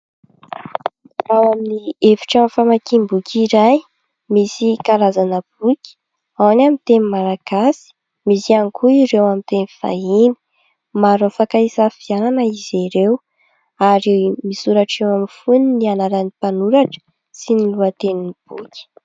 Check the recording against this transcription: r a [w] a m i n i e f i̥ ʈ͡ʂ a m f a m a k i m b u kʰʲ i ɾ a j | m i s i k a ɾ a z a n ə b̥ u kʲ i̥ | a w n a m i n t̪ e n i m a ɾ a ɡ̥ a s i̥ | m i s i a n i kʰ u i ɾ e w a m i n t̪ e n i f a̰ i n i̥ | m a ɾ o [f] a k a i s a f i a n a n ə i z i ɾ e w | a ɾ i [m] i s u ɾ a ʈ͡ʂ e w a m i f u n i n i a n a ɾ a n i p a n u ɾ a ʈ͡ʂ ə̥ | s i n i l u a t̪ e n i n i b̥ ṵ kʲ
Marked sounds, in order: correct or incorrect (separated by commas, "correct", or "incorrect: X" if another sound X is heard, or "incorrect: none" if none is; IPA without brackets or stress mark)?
correct, correct, correct